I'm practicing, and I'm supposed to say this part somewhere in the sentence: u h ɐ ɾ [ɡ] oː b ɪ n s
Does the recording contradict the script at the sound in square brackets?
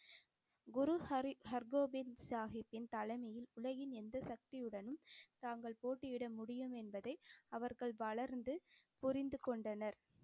no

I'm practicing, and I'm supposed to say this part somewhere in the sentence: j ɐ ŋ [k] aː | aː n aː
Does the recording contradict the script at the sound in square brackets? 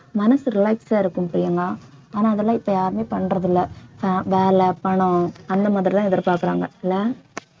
yes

